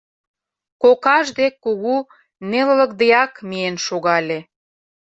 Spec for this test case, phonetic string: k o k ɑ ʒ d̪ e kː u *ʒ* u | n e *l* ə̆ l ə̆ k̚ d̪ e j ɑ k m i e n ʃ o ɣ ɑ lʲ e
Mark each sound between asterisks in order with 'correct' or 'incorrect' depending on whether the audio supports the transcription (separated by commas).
incorrect, correct